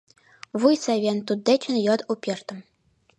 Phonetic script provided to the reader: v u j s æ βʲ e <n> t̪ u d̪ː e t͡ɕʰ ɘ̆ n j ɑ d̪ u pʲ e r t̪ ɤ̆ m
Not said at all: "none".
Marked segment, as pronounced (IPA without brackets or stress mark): n